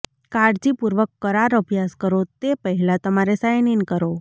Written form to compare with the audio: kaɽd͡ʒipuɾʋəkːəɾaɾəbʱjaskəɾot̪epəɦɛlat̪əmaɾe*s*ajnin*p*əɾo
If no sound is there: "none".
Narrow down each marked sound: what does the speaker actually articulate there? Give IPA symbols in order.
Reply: s, k

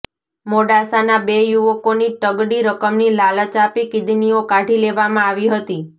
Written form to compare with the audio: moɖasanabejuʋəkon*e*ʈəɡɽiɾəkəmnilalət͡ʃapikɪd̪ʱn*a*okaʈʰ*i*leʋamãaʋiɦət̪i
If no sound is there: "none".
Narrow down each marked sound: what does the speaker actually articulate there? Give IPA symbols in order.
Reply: i, i, i

